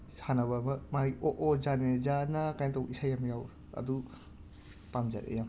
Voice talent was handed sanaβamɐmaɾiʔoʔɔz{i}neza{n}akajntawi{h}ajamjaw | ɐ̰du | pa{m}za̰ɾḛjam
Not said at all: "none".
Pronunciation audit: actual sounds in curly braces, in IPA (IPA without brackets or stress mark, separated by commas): a, n, s, m